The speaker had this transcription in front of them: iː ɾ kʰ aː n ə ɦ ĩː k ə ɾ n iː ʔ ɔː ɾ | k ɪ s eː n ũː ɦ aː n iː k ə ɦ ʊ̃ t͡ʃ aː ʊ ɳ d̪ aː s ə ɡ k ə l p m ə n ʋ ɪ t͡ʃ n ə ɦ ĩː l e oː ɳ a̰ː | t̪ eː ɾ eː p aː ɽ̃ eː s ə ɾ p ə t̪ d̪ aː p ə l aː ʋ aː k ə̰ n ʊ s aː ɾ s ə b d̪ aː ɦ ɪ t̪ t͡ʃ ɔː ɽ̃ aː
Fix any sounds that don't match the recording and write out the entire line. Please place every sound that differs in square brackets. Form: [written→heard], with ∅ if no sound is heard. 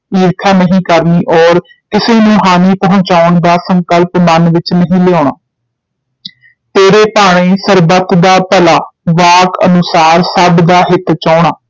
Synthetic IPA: iː ɾ kʰ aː n ə ɦ ĩː k ə ɾ n iː ʔ ɔː ɾ | k ɪ s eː n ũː ɦ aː n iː [k→p] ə ɦ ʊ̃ t͡ʃ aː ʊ ɳ d̪ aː s ə [ɡ→ŋ] k ə l p m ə n ʋ ɪ t͡ʃ n ə ɦ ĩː l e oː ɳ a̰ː | t̪ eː ɾ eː p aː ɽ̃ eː s ə ɾ [p→b] ə t̪ d̪ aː p ə l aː ʋ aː k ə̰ n ʊ s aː ɾ s ə b d̪ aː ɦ ɪ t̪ t͡ʃ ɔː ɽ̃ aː